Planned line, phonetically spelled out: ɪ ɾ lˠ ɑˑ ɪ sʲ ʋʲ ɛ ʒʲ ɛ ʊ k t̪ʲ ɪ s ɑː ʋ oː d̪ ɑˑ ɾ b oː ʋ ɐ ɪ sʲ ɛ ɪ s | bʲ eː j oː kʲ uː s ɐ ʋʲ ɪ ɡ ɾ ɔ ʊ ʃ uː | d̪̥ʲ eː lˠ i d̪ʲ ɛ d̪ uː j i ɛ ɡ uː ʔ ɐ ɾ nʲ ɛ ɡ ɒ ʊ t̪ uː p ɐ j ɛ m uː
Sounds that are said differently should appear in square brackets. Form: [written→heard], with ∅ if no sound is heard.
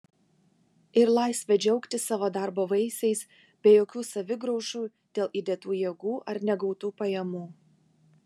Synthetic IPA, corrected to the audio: ɪ ɾ lˠ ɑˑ ɪ sʲ ʋʲ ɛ [ʒʲ→d͡ʒʲ] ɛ ʊ k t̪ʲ ɪ s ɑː ʋ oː d̪ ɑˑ ɾ b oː ʋ ɐ ɪ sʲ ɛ ɪ s | bʲ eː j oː kʲ uː s ɐ ʋʲ ɪ ɡ ɾ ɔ ʊ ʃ uː | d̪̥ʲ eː lˠ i d̪ʲ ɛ [d̪→t̪] uː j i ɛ ɡ uː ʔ ɐ ɾ nʲ ɛ ɡ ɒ ʊ t̪ uː p ɐ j ɛ m uː